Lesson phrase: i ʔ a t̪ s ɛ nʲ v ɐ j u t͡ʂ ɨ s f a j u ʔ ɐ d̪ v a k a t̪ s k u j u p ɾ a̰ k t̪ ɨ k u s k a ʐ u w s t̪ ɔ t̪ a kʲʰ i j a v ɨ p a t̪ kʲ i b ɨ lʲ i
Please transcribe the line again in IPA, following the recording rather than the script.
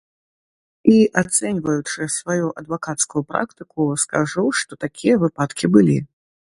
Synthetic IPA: i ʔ a t̪ s ɛ nʲ v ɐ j u t͡ʂ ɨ s v a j u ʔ ɐ d̪ v a k a t̪ s k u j u p ɾ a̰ k t̪ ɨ k u s k a ʐ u w ʂ t̪ ɔ t̪ a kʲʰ i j ɐ v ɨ p a t̪ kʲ i b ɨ lʲ i